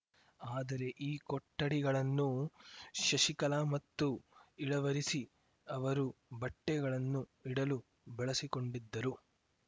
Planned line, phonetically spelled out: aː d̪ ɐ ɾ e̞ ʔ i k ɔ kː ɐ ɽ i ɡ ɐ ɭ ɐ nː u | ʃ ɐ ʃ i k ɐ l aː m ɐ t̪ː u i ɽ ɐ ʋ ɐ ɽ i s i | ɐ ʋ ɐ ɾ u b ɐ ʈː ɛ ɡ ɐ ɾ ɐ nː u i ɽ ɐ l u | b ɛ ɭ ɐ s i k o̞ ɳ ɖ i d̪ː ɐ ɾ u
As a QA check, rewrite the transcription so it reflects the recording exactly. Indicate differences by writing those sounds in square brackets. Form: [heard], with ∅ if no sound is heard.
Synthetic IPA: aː d̪ ɐ ɾ e̞ ʔ [iː] k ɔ [ʈː] ɐ ɽ i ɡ ɐ ɭ ɐ nː u | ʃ ɐ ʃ i k ɐ l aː m ɐ t̪ː u i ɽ ɐ ʋ ɐ [ɾ] i s i | ɐ ʋ ɐ ɾ u b ɐ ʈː ɛ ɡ ɐ [ɭ] ɐ nː u i ɽ ɐ l u | b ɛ ɭ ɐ s i k o̞ ɳ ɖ i d̪ː ɐ ɾ u